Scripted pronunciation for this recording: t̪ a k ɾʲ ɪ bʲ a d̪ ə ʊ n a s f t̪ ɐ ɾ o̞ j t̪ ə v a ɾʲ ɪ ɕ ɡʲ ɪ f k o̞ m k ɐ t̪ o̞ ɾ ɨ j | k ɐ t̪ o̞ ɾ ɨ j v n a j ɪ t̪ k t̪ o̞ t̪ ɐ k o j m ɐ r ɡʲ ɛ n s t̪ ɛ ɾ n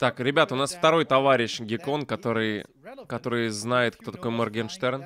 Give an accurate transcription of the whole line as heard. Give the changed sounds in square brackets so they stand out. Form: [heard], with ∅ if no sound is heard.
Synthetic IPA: t̪ a k ɾʲ ɪ bʲ a [t̪] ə ʊ n a s f t̪ ɐ ɾ o̞ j t̪ [ɐ] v a ɾʲ ɪ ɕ ɡʲ ɪ [∅] k o̞ [n] k ɐ t̪ o̞ ɾ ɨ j | k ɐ t̪ o̞ ɾ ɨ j [z] n a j ɪ t̪ k t̪ o̞ t̪ ɐ k o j m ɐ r ɡʲ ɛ n [ʂ] t̪ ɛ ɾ n